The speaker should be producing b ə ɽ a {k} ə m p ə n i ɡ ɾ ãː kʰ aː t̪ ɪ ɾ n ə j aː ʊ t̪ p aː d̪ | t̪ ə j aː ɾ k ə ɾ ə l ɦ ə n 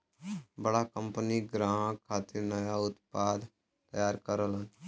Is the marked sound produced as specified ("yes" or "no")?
yes